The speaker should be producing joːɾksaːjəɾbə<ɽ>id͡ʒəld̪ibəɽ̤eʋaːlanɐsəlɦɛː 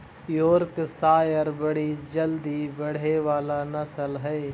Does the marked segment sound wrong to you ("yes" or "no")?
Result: no